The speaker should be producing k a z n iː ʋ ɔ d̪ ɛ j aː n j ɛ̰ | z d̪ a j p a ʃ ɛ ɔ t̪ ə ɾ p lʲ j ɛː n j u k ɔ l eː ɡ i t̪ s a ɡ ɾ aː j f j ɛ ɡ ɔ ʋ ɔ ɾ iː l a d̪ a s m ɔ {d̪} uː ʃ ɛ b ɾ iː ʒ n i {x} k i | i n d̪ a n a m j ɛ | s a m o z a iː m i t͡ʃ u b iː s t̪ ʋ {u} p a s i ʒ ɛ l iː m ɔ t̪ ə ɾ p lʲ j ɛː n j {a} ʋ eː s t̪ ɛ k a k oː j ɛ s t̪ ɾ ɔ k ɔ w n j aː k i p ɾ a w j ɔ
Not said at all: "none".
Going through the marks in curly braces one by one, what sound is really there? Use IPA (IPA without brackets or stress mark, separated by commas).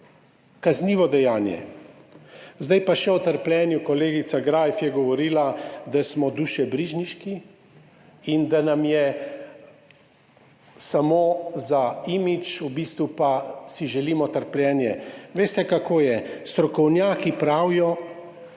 d̪, ʃ, u, ɛ